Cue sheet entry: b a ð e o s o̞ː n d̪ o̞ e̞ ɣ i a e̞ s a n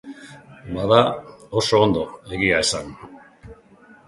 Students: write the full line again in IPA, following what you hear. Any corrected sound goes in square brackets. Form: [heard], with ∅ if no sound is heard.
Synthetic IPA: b a ð [a] o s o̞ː n d̪ o̞ e̞ ɣ i a e̞ s a n